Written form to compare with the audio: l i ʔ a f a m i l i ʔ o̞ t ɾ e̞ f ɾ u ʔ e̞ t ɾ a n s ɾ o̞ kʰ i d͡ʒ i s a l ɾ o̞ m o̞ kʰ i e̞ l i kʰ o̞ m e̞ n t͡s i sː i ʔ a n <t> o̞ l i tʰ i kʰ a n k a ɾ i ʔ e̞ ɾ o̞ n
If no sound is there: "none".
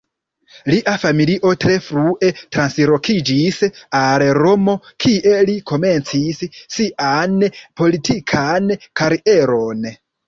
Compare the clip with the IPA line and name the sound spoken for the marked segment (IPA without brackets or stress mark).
p